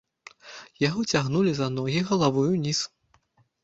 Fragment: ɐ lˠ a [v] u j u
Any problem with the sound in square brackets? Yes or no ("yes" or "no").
no